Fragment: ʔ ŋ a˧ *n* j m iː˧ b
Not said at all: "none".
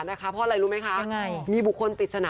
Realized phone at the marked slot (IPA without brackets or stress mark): none